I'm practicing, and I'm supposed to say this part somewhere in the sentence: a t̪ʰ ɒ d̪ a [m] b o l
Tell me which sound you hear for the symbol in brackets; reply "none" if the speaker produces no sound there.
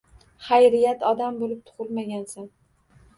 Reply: m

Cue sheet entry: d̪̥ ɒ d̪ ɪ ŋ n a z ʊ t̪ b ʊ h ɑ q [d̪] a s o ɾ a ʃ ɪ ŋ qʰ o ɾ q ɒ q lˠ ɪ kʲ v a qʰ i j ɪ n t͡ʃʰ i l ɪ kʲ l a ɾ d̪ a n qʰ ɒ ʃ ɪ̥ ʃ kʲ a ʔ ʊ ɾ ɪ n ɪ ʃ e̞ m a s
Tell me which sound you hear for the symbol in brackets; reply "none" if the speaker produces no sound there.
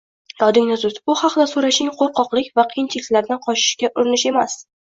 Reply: d̪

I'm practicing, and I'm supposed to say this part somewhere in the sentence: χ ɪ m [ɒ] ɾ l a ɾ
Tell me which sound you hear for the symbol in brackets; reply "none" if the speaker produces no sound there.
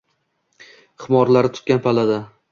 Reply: ɒ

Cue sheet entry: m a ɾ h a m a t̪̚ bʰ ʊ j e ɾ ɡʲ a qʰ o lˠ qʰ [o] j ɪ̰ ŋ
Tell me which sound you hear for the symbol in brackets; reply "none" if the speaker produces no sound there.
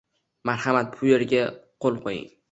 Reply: o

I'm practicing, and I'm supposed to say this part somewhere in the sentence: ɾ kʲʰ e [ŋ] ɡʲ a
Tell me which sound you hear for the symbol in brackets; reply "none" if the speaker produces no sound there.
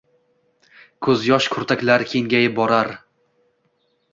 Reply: ŋ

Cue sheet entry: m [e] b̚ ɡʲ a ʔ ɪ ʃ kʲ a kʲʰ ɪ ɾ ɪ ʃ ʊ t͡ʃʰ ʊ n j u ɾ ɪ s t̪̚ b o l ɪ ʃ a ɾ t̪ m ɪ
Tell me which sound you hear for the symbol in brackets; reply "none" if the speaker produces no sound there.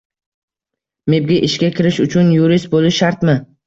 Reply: e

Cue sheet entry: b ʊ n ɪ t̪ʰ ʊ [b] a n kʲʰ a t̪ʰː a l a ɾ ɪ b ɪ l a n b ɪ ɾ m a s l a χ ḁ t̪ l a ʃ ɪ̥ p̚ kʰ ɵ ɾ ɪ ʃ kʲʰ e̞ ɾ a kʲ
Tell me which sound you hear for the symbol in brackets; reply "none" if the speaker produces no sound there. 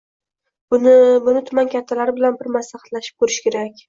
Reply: m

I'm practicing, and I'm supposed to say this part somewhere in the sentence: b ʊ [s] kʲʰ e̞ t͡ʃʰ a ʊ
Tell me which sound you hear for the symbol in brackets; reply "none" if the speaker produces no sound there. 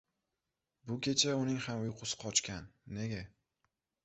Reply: none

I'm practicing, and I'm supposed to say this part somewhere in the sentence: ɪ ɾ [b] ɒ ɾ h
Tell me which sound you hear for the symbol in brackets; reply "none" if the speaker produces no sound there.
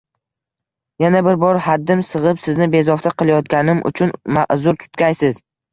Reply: b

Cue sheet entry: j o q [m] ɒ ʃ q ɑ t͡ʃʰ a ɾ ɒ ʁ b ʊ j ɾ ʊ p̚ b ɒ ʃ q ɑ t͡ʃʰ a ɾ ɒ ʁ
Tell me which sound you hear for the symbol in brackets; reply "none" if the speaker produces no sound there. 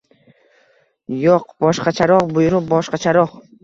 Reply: b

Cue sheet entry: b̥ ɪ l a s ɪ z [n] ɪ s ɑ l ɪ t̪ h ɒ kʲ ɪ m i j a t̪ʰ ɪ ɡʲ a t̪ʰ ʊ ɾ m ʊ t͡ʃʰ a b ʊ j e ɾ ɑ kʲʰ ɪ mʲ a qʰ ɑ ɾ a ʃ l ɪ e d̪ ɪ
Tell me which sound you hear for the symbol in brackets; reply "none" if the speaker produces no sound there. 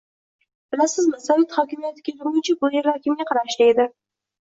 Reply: m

